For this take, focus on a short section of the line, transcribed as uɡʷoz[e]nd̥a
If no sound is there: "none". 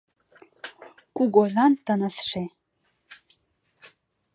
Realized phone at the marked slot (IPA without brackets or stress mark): a